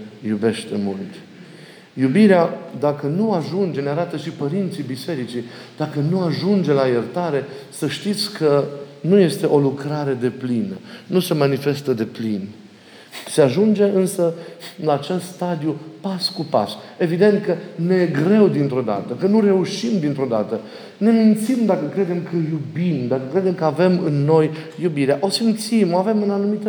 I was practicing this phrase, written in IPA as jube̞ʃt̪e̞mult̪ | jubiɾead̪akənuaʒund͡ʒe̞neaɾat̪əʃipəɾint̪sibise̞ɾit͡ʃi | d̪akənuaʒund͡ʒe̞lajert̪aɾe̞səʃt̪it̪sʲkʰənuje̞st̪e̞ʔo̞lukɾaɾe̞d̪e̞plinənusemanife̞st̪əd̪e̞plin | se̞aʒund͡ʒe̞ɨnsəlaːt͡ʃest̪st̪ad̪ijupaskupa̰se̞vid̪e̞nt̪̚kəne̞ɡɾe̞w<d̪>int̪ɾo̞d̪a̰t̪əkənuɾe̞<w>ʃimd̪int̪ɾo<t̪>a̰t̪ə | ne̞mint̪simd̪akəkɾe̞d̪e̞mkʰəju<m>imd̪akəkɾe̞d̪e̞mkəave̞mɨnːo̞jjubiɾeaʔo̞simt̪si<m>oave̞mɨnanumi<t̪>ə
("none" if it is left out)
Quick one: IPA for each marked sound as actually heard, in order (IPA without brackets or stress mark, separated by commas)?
d̪, u, d̪, b, m, t̪